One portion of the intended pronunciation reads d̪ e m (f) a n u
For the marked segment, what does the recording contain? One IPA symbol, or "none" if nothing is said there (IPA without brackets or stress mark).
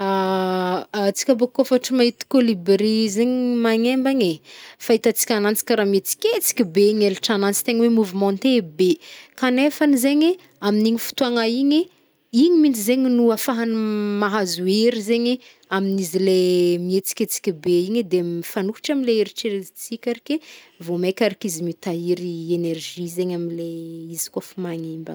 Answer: f